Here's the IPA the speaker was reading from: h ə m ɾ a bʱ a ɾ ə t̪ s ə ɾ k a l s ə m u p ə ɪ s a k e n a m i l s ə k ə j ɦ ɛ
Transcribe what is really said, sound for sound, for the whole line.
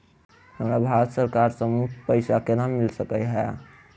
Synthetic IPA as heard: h ə m ɾ a bʱ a ɾ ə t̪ s ə ɾ k a ɾ s ə m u p ə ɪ s a k e n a m i l s ə k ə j ɦ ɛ